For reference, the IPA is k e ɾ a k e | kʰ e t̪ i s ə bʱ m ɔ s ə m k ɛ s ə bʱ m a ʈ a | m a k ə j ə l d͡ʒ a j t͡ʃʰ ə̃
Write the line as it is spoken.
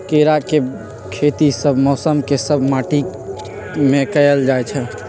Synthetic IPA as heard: k e ɾ a k e | kʰ e t̪ i s ə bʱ m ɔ s ə m k e s ə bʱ m a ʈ i | m e k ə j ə l d͡ʒ a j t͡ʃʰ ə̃